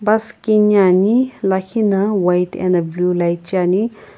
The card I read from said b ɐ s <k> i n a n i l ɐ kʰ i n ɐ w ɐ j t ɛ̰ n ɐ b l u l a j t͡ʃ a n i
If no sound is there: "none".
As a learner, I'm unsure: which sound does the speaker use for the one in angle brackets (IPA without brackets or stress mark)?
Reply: k